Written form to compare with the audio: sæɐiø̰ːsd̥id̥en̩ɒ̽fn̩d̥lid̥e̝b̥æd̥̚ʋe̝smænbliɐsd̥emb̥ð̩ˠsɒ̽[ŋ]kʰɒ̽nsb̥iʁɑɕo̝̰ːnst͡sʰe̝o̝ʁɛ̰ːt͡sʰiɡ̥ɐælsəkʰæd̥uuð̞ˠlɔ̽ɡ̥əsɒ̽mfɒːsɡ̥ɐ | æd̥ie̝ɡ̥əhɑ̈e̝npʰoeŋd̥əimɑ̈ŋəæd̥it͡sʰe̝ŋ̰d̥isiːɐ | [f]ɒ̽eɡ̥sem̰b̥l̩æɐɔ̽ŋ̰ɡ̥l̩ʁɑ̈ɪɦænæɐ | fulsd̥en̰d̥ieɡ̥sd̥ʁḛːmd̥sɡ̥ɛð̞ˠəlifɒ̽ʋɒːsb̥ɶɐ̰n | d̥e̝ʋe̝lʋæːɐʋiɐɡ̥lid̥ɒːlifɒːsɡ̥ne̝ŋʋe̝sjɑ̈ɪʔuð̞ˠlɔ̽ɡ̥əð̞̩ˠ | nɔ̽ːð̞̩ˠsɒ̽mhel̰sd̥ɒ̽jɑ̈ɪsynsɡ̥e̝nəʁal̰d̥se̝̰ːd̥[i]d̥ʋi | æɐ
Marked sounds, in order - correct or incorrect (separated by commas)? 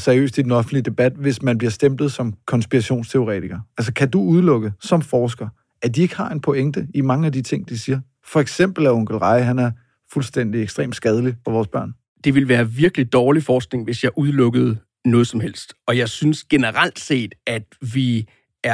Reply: incorrect, correct, incorrect